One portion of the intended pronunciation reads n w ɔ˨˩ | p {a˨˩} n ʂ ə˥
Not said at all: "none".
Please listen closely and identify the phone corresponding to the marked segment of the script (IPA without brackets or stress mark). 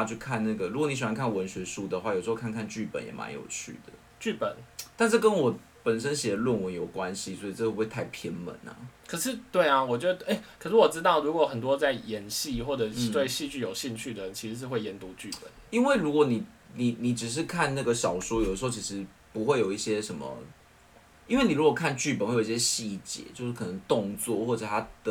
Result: ə˨˩